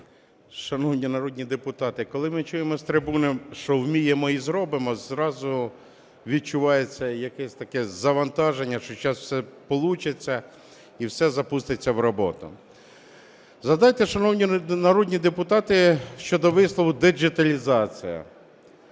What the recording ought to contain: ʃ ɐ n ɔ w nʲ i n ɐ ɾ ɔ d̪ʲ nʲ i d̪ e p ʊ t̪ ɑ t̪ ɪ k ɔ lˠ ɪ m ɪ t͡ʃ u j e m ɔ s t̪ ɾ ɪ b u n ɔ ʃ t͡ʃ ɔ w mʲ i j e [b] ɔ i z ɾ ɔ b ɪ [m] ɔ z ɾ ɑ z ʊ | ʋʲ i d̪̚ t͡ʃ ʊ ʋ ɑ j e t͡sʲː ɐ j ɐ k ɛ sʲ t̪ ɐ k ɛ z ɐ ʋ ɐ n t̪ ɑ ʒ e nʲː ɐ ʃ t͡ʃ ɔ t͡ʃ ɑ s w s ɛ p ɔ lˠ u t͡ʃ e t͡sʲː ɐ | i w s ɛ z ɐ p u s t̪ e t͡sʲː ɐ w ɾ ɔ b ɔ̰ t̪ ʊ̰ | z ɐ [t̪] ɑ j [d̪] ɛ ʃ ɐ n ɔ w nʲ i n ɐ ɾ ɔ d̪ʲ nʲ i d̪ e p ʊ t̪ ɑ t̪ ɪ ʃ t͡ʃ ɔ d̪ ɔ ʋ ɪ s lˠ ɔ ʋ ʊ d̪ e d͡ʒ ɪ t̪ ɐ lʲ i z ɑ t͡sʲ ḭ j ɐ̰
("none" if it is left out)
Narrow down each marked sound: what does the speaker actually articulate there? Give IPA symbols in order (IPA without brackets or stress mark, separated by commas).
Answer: m, m, d̪, t̪